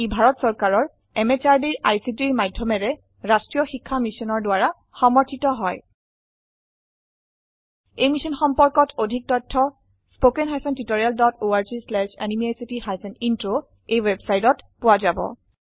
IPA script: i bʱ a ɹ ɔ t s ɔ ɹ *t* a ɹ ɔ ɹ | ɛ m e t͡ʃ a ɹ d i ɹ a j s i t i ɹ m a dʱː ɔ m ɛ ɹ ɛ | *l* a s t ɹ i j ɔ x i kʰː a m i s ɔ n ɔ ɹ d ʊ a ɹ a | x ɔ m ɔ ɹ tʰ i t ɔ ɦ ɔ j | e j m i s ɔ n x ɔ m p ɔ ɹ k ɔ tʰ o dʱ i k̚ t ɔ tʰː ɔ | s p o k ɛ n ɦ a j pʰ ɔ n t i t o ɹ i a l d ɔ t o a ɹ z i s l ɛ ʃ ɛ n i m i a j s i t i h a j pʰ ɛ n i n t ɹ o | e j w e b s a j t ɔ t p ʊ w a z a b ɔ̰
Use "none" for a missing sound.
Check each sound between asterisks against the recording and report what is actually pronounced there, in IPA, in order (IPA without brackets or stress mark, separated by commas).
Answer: k, ɹ